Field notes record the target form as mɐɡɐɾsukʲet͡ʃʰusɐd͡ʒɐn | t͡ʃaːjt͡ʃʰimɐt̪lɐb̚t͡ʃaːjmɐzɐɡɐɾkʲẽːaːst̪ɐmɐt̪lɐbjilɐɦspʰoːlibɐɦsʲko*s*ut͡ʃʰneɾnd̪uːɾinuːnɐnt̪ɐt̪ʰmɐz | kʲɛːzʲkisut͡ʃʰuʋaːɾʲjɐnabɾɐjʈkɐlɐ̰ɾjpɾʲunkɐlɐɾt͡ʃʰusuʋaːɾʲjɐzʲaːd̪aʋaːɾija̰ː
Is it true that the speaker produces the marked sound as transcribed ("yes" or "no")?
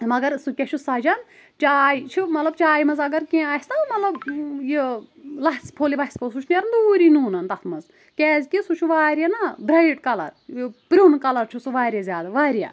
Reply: yes